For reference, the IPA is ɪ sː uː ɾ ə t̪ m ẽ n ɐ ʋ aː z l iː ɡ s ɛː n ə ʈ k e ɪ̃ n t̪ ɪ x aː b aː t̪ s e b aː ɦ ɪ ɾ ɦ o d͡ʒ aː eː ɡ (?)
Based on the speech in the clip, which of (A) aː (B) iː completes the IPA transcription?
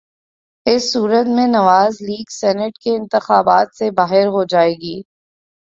B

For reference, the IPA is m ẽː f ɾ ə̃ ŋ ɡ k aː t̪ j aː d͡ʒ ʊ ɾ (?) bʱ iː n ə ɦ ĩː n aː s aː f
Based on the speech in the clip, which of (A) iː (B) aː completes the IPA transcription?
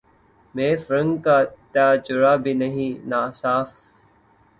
B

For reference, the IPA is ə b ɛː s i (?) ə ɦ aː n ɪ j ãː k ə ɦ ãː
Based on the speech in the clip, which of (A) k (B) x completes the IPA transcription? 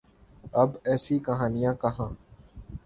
A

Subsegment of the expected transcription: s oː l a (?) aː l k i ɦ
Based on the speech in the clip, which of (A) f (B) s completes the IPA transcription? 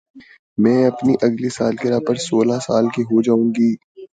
B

